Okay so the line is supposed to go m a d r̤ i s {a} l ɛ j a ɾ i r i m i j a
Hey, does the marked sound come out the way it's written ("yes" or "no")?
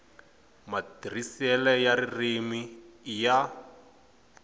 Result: no